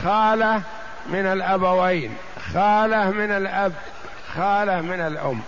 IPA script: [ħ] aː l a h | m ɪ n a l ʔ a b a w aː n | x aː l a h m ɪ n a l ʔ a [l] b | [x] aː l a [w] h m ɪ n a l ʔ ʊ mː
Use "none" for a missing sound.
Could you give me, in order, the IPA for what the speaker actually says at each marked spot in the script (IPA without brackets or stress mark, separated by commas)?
x, none, x, none